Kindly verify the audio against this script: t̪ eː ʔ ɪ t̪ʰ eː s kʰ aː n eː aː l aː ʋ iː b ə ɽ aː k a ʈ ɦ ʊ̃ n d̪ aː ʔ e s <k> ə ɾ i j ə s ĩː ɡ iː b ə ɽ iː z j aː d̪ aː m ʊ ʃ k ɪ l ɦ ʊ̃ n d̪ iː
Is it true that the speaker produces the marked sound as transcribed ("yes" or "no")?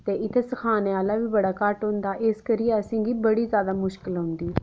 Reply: yes